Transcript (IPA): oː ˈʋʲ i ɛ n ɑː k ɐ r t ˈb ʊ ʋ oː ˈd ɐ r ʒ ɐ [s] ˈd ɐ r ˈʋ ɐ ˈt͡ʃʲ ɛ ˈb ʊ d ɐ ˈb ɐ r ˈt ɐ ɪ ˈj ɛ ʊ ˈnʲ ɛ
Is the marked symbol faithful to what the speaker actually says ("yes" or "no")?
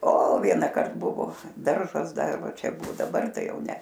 yes